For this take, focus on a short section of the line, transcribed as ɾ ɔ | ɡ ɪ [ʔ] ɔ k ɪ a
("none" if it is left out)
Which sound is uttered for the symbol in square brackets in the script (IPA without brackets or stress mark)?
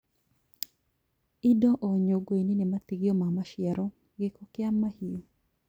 k